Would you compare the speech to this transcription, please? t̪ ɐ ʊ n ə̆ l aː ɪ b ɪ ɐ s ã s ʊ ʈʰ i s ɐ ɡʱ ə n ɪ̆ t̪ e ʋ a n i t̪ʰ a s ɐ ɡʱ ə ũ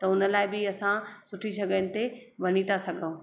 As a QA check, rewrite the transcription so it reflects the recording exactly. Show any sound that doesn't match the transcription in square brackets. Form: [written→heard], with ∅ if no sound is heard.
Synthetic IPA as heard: t̪ ɐ ʊ n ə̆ l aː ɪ b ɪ ɐ s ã s ʊ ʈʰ i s ɐ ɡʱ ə n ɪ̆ t̪ e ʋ [a→ɐ] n i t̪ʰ a s ɐ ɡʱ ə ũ